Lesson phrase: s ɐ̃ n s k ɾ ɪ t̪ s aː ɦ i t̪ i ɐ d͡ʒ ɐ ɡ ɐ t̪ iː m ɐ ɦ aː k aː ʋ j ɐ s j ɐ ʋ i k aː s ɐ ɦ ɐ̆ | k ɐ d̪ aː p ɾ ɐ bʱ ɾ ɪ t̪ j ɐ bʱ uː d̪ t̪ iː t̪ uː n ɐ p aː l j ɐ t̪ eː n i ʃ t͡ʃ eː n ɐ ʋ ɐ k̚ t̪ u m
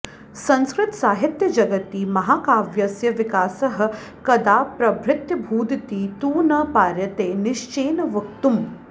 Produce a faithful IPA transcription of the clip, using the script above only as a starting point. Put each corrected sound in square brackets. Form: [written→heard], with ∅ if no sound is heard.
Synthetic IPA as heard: s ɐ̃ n s k ɾ ɪ t̪ s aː ɦ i t̪ [i→j] ɐ d͡ʒ ɐ ɡ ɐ t̪ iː m ɐ ɦ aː k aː ʋ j ɐ s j ɐ ʋ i k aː s ɐ ɦ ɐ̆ | k ɐ d̪ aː p ɾ ɐ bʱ ɾ ɪ t̪ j ɐ bʱ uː d̪ t̪ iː t̪ uː n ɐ p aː [l→ɾ] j ɐ t̪ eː n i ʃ t͡ʃ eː n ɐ ʋ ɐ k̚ t̪ u m